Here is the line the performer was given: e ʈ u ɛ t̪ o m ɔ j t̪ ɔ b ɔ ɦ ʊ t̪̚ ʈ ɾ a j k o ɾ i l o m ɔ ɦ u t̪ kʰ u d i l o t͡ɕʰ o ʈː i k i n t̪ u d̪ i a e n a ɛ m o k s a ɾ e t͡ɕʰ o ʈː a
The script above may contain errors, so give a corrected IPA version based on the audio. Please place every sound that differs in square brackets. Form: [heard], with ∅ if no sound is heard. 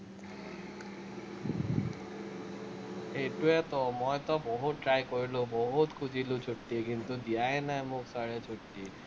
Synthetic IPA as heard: e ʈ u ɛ t̪ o m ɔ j t̪ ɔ b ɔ ɦ [u] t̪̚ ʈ ɾ a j k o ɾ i l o [b] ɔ ɦ u t̪ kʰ u [d͡ʑ] i l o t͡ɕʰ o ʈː i k i n t̪ u d̪ i a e n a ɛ m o k s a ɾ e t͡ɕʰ o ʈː [i]